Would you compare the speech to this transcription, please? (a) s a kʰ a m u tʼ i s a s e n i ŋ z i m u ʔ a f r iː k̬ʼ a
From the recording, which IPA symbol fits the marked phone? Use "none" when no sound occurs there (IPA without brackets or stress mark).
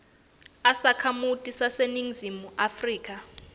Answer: a